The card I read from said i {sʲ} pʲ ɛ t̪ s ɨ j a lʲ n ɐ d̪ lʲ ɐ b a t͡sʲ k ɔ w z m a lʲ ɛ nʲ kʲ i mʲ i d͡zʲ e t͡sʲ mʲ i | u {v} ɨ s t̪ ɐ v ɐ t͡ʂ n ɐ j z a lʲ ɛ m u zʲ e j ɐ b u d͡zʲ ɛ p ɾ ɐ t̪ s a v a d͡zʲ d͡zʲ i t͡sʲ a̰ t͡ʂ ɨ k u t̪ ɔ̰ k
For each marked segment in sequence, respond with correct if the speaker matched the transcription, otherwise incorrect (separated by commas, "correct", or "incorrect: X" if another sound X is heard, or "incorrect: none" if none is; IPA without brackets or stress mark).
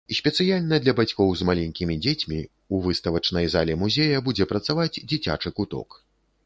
correct, correct